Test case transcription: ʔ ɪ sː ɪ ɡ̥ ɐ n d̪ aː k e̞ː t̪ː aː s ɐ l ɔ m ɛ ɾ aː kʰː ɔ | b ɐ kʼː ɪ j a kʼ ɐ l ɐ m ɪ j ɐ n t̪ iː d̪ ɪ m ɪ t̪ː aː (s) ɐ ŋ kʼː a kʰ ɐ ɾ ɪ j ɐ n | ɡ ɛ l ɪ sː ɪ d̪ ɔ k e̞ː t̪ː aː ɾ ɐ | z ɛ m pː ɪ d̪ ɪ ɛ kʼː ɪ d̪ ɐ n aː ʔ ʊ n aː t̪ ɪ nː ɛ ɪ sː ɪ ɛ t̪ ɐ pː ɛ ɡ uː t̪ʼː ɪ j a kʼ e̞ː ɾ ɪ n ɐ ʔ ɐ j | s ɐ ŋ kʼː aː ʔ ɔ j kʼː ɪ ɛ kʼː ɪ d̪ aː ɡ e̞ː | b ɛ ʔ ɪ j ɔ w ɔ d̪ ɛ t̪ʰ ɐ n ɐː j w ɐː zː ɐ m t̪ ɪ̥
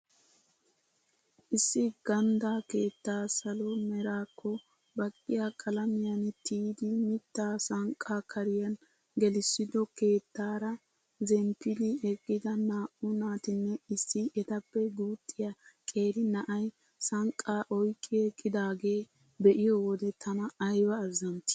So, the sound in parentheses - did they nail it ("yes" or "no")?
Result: yes